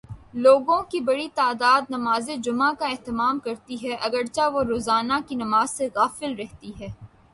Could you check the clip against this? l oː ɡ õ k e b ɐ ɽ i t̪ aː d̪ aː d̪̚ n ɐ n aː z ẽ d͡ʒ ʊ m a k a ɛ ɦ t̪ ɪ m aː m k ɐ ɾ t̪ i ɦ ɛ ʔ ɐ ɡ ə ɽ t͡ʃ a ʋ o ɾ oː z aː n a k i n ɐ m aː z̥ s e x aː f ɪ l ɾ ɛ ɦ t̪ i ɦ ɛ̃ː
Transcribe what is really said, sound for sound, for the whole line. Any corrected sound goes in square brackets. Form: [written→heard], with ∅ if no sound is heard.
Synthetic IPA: l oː ɡ õ k [e→i] b ɐ ɽ i t̪ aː d̪ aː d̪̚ n ɐ [n→m] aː z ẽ d͡ʒ ʊ m a k a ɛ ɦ t̪ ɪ m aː m k ɐ ɾ t̪ i ɦ ɛ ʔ ɐ ɡ ə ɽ t͡ʃ a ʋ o ɾ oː z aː n a k i n ɐ m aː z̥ s e [x→ɣ] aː f ɪ l ɾ ɛ ɦ t̪ i ɦ [ɛ̃ː→ɛː]